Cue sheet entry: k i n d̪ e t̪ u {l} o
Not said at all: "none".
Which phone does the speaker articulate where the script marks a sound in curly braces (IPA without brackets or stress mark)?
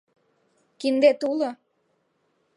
l